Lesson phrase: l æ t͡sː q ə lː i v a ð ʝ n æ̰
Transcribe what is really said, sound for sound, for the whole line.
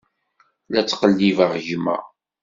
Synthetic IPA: l æ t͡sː q ə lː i v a ʁ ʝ m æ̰